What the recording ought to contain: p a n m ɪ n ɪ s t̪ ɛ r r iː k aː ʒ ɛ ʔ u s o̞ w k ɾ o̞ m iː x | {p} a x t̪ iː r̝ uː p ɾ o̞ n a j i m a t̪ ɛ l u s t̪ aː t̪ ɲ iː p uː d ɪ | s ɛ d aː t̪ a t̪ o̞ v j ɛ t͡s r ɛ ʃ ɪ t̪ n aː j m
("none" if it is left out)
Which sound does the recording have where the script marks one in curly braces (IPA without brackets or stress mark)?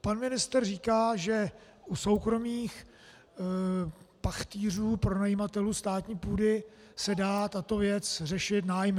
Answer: p